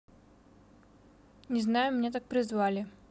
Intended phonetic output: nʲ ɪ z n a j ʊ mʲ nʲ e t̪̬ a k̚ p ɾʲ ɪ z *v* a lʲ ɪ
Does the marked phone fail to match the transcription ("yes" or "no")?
no